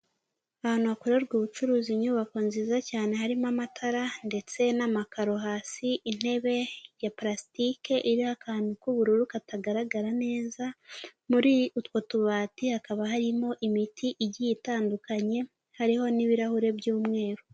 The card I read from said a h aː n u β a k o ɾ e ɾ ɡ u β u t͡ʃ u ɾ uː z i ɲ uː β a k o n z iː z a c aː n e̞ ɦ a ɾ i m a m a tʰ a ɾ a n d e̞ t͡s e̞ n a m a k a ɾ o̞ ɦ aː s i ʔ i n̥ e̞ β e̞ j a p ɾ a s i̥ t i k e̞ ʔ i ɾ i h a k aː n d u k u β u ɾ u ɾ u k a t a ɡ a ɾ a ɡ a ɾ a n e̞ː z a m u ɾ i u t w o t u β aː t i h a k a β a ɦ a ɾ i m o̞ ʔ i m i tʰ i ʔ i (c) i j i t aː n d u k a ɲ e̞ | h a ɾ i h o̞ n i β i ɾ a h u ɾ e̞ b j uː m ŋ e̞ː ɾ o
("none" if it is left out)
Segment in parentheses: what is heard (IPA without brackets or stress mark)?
ɟ